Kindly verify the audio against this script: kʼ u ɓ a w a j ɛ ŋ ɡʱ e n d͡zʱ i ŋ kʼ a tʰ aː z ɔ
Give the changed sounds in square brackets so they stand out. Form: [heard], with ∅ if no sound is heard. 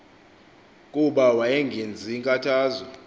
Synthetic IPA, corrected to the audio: kʼ u ɓ a w a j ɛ ŋ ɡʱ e n d͡zʱ i ŋ kʼ a tʰ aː z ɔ